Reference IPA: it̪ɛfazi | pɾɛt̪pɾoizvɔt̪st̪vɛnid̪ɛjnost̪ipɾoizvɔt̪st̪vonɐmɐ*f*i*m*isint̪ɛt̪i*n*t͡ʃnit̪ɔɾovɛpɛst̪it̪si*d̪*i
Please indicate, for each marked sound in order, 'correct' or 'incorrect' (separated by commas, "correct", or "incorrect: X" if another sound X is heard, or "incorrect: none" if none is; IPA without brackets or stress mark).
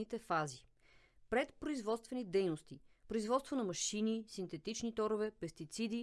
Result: incorrect: ʃ, incorrect: n, incorrect: none, correct